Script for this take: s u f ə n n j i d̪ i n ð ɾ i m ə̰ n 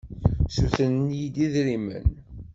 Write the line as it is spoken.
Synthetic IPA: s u θ ə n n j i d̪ i ð ɾ i m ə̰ n